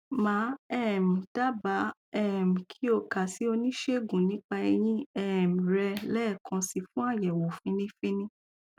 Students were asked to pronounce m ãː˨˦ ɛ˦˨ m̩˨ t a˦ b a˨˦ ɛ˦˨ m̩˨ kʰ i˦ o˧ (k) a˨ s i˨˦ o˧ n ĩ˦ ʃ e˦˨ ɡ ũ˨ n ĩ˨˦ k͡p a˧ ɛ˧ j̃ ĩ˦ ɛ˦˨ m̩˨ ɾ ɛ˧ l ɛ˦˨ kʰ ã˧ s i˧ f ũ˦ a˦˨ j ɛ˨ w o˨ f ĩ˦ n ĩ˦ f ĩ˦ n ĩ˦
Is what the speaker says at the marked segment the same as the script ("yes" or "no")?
yes